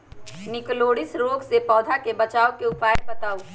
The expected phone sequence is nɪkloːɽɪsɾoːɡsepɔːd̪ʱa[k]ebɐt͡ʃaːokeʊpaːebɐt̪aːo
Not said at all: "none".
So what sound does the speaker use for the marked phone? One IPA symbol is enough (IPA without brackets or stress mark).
k